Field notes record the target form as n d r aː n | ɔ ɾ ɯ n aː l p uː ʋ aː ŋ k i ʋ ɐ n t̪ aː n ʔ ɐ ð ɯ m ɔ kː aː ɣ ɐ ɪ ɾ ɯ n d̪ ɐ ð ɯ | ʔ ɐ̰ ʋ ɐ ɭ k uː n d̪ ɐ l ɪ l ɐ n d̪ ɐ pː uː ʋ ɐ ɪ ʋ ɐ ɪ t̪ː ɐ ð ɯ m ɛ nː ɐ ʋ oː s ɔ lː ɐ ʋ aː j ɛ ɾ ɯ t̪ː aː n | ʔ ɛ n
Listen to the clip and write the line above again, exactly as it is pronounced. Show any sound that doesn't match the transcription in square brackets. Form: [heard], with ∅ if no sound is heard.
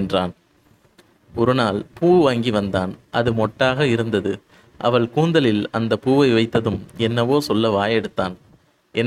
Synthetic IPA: n d r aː n | ɔ ɾ ɯ n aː l p uː ʋ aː ŋ [ɡ] i ʋ ɐ n [d̪] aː n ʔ ɐ ð ɯ m ɔ [ʈː] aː ɣ ɐ ɪ ɾ ɯ n d̪ ɐ ð ɯ | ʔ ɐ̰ ʋ ɐ ɭ k uː n d̪ ɐ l ɪ l ɐ n d̪ ɐ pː uː ʋ ɐ ɪ ʋ ɐ ɪ t̪ː ɐ ð ɯ m ɛ nː ɐ ʋ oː s ɔ lː ɐ ʋ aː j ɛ [ɽ] ɯ t̪ː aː n | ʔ ɛ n